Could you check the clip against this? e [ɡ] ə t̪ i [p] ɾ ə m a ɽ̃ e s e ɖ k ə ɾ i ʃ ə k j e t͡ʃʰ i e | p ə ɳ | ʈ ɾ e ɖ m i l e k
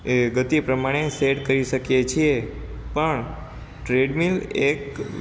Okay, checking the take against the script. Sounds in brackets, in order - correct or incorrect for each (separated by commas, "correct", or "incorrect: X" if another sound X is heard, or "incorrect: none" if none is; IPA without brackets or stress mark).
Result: correct, correct